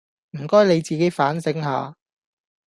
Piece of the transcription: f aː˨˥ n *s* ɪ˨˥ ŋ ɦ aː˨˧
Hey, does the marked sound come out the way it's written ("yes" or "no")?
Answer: yes